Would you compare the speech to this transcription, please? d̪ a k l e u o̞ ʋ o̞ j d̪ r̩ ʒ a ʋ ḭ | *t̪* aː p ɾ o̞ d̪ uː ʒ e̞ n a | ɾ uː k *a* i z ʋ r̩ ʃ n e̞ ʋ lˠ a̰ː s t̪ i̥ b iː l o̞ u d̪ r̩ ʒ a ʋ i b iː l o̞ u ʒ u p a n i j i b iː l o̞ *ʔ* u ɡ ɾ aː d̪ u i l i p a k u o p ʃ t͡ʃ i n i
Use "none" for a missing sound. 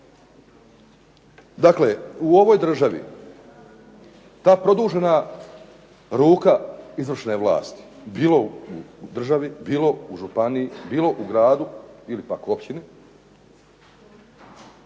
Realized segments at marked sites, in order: t̪, a, ʔ

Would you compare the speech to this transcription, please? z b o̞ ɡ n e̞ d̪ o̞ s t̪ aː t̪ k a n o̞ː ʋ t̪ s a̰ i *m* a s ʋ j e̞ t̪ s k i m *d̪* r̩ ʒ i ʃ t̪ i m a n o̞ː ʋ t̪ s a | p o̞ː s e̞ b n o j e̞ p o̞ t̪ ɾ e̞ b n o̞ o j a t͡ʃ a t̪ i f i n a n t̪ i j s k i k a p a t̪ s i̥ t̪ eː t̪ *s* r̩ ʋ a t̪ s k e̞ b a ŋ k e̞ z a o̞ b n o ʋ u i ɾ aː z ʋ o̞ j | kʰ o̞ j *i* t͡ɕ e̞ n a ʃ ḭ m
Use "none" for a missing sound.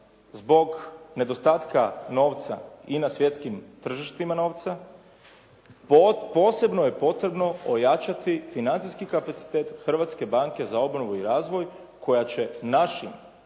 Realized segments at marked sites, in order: n, t̪, x, a

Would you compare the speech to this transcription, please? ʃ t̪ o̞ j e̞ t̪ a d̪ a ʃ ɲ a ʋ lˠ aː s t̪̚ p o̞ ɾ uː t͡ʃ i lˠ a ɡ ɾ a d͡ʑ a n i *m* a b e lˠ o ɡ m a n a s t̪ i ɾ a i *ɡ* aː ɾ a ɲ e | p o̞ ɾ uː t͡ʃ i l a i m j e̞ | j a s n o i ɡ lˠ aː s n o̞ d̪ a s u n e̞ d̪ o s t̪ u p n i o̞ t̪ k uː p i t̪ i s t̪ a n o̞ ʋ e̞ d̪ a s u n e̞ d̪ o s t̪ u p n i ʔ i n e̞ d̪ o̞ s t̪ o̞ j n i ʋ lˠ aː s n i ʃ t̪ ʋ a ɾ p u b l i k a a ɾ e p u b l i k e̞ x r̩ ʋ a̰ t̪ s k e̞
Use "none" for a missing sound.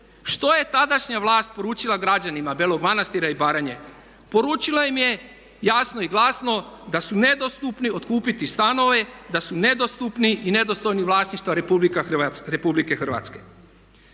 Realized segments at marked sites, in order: m, b

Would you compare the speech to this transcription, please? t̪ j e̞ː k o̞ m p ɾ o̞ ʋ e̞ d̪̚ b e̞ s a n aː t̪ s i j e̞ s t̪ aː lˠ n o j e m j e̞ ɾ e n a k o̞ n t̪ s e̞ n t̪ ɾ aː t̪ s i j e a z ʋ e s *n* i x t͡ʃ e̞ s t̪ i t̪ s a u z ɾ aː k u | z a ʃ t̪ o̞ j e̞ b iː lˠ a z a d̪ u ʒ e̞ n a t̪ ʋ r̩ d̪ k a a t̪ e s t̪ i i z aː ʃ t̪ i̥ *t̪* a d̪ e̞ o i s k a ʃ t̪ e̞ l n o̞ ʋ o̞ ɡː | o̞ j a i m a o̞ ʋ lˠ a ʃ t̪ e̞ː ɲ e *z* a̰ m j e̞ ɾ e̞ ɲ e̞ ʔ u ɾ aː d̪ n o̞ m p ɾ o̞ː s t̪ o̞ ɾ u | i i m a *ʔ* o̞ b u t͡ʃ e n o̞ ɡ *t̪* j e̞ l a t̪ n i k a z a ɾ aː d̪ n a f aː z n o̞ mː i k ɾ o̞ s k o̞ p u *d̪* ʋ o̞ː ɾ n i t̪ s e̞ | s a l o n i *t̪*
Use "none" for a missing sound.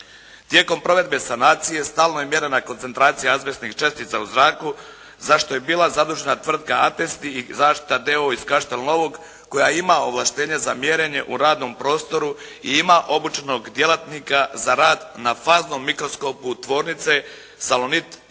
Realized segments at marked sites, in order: n, t̪, z, ʔ, d̪, t̪, t̪

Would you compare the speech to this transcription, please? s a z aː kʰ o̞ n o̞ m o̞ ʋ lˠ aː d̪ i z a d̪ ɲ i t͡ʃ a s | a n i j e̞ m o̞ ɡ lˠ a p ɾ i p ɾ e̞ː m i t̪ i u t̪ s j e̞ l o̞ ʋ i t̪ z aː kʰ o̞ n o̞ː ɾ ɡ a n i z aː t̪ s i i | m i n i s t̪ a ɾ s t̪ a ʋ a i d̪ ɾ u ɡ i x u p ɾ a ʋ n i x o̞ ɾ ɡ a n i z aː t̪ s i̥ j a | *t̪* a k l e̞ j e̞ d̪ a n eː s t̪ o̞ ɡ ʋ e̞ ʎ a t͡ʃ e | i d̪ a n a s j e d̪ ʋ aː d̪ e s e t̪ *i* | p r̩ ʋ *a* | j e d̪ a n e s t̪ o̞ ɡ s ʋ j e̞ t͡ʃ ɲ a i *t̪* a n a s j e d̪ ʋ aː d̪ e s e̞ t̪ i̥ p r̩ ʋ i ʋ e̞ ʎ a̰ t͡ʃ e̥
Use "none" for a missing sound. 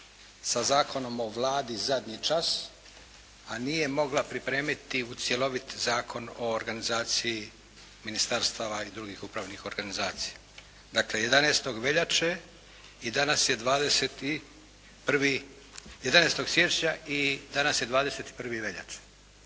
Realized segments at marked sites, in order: d̪, i, i, d̪

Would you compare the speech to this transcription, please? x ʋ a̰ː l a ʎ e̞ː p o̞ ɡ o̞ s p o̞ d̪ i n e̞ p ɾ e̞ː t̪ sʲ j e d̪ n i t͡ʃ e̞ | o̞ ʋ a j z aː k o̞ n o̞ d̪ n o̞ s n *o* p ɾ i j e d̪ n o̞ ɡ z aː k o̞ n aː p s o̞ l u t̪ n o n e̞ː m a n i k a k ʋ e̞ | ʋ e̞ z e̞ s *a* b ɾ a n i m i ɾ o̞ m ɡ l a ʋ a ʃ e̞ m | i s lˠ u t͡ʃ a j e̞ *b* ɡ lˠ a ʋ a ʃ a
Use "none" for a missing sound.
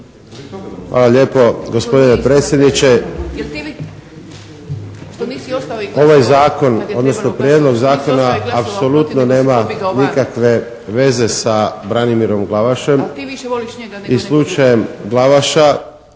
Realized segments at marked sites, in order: o, a, m

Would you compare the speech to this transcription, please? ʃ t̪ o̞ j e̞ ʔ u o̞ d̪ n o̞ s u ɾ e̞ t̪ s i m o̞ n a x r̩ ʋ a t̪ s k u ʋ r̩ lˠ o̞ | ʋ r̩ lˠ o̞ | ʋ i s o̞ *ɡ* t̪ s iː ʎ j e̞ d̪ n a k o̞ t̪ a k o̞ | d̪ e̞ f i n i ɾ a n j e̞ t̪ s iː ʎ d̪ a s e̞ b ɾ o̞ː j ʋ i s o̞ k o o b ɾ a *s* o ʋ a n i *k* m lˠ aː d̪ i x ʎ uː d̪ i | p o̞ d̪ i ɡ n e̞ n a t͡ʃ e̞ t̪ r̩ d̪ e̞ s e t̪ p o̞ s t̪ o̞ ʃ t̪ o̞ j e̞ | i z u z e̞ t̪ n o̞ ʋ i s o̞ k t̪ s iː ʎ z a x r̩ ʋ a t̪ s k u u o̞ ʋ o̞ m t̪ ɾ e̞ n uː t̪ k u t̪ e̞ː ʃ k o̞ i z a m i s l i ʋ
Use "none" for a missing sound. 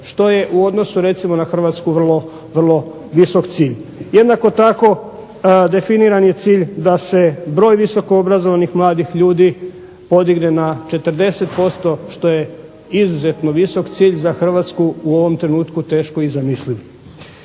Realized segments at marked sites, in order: k, z, x

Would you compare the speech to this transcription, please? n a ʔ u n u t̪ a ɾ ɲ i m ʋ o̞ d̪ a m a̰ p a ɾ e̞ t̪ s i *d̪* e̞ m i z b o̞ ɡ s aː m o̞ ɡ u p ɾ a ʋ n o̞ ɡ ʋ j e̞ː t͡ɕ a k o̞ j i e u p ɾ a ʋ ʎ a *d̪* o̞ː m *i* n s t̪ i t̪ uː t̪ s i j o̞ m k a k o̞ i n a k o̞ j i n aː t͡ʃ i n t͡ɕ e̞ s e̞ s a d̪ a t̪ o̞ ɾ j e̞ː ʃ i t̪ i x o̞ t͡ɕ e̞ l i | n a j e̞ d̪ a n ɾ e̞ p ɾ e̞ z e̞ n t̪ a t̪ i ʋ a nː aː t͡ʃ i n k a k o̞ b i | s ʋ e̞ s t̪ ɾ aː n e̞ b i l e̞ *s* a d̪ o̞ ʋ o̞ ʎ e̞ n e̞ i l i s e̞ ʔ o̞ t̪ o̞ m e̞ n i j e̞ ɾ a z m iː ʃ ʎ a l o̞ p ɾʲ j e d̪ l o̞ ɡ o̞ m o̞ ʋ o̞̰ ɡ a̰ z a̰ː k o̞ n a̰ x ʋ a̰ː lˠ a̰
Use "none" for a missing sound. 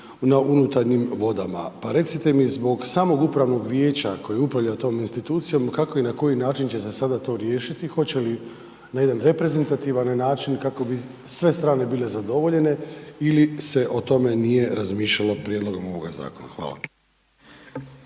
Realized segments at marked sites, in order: t̪, t̪, i, z

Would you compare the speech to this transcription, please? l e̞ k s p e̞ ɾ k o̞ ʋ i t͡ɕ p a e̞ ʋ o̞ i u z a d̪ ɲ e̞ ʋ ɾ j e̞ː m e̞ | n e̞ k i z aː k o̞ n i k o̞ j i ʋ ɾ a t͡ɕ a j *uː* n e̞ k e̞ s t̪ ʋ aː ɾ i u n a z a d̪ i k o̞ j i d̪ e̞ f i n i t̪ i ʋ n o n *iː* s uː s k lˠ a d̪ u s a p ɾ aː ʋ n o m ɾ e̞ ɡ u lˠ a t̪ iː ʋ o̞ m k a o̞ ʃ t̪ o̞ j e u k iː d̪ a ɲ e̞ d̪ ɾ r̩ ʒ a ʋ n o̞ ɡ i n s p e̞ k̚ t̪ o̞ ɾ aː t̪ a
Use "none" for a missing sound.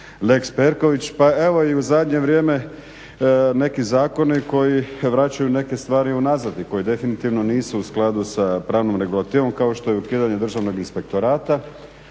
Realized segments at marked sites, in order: u, iː

